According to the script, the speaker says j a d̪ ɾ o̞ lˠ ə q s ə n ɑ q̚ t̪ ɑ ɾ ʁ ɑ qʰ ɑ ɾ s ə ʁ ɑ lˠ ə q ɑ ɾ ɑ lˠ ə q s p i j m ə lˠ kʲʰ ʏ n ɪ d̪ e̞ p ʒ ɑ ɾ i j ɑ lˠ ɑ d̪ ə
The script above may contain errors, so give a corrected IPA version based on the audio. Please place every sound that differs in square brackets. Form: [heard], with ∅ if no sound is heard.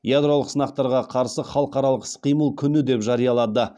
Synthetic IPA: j a d̪ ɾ o̞ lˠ ə q s ə n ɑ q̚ t̪ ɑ ɾ ʁ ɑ qʰ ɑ ɾ s ə [χ] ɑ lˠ ə q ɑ ɾ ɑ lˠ ə q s [q] i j m ə lˠ kʲʰ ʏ n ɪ d̪ e̞ p ʒ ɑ ɾ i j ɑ lˠ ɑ d̪ ə